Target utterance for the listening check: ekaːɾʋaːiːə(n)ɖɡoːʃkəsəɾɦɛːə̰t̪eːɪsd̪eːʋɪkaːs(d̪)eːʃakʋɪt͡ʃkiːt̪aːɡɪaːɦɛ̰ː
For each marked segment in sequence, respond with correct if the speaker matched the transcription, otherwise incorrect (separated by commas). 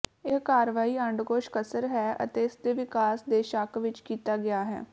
incorrect, correct